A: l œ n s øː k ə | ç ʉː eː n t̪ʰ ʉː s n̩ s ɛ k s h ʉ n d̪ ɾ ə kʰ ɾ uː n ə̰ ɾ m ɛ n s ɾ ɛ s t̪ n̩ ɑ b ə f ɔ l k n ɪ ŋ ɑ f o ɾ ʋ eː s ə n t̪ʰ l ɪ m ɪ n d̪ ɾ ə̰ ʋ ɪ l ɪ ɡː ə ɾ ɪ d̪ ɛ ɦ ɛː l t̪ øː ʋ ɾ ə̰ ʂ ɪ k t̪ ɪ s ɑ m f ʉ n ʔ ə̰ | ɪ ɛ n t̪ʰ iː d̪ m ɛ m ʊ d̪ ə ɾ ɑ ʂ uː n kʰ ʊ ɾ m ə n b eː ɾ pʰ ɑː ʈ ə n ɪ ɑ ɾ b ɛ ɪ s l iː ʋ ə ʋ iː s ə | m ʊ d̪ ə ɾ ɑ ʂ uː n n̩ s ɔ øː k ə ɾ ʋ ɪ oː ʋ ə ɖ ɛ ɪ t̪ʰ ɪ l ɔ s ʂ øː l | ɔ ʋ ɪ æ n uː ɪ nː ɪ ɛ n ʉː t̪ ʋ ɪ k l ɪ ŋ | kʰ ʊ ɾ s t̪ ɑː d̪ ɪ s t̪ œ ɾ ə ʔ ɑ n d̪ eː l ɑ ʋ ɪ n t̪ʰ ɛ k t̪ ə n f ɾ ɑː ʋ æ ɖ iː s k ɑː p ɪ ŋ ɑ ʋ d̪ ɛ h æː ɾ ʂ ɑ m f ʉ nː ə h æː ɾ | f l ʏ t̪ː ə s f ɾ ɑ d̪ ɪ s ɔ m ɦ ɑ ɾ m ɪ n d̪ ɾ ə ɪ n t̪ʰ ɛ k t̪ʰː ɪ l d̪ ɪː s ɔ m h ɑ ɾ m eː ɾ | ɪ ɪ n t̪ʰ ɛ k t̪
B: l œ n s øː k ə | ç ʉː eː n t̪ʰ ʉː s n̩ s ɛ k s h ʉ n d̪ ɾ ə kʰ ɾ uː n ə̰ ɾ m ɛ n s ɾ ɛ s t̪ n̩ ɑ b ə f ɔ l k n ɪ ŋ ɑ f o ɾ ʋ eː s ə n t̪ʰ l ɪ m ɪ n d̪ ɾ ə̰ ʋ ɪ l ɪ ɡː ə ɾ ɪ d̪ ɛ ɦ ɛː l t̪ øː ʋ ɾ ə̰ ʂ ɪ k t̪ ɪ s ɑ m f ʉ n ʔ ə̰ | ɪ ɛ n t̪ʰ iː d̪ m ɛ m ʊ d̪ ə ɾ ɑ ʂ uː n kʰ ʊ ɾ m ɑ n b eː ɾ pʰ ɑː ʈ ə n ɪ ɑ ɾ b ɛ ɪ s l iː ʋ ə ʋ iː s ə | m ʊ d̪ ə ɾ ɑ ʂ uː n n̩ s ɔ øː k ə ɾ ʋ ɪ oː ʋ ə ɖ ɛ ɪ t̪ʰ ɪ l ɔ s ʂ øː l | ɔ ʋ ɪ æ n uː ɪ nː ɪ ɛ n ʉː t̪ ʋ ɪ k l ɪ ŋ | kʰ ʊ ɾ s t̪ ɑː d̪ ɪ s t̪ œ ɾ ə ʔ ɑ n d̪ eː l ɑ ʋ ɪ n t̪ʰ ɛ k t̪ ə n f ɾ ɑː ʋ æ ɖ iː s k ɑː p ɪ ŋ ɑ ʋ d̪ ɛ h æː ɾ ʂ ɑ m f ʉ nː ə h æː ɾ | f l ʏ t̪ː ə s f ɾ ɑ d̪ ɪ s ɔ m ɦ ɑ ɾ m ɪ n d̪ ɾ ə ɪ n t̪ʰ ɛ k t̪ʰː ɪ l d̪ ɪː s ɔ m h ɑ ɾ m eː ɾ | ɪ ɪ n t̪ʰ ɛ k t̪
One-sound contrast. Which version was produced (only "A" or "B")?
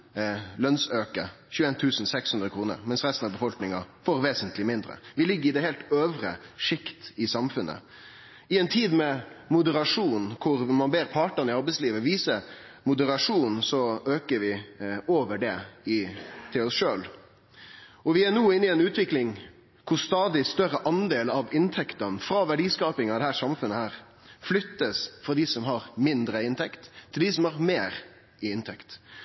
B